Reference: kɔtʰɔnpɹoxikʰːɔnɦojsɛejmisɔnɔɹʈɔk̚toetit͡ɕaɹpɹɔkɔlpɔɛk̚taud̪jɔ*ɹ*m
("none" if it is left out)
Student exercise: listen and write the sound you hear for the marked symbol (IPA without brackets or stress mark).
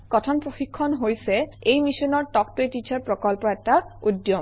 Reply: none